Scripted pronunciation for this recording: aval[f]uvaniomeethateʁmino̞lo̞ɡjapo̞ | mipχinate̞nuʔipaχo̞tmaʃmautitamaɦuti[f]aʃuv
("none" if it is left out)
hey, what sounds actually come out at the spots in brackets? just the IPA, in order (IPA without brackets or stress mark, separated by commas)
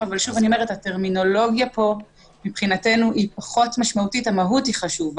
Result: ʃ, χ